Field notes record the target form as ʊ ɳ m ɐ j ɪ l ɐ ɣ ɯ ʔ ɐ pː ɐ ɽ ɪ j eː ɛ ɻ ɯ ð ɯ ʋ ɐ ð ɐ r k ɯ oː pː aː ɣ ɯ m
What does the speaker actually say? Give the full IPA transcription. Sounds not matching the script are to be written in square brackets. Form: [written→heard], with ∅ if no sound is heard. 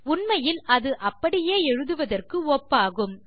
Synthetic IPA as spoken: ʊ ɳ m ɐ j ɪ l ɐ [ɣ→ð] ɯ ʔ ɐ pː ɐ ɽ ɪ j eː ɛ ɻ ɯ ð ɯ ʋ ɐ ð ɐ r k ɯ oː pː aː ɣ ɯ m